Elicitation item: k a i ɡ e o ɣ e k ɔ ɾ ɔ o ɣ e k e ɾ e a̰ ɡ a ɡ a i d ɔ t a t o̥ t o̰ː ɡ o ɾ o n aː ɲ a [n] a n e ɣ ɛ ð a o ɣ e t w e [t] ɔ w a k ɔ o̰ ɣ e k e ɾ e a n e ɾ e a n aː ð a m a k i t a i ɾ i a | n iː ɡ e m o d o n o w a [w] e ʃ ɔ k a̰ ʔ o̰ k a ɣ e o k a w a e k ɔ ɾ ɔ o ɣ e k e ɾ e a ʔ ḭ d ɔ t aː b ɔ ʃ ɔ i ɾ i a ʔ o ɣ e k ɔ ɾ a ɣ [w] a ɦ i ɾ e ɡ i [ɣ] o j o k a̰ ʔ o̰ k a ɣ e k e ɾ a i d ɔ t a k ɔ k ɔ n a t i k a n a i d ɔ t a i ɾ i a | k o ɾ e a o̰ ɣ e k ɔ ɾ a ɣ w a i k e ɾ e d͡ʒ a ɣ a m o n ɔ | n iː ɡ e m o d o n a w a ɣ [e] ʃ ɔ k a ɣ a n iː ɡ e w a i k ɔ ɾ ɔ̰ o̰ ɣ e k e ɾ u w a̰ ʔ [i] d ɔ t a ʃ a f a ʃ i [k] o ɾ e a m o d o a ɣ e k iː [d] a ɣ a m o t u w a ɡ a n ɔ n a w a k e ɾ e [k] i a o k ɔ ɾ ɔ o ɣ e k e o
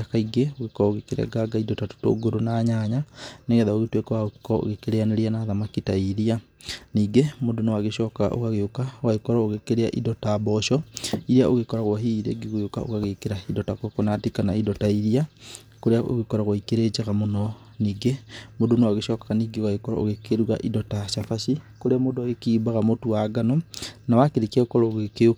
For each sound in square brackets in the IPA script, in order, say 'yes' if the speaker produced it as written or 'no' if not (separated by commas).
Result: no, no, no, yes, yes, yes, yes, yes, no, yes